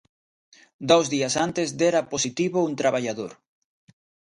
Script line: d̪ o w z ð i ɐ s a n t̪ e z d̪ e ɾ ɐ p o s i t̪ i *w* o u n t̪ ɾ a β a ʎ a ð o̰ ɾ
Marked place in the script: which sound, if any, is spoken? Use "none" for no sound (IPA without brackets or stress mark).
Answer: β